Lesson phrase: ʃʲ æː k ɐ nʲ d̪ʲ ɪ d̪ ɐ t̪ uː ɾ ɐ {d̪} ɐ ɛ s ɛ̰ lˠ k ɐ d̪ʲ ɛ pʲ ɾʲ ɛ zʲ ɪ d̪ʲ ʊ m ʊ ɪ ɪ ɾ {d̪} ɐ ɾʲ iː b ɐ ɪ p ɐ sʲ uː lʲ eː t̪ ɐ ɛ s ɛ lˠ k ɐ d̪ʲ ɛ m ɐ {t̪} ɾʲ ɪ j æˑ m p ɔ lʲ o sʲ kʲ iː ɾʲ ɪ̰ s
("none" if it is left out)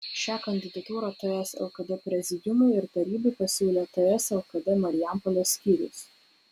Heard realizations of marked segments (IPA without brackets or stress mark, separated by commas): t̪, t̪, none